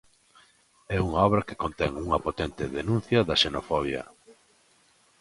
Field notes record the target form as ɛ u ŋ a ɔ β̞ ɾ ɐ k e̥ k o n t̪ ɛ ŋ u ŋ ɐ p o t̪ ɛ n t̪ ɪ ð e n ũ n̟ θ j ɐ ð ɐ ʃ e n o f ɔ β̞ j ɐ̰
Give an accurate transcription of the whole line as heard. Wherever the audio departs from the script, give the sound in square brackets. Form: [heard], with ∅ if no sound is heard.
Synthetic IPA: ɛ u ŋ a ɔ β̞ ɾ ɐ k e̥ k o n t̪ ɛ ŋ u ŋ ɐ p o t̪ ɛ n t̪ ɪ ð e n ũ n̟ θ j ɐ ð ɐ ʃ e n o f ɔ β̞ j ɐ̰